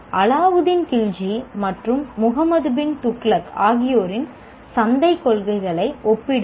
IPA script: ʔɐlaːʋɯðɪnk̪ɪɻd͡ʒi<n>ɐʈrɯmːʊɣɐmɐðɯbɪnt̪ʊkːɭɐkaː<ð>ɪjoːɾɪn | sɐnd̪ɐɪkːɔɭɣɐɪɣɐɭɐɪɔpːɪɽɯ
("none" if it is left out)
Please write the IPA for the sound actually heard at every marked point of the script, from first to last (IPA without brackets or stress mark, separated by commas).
m, ɣ